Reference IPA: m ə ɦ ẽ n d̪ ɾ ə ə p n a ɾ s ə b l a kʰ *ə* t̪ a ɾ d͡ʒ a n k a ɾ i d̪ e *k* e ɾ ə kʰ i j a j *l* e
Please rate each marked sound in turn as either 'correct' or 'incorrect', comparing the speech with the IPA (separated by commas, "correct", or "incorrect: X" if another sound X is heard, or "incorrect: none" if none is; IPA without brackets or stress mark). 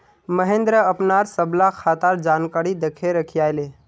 incorrect: a, incorrect: kʰ, correct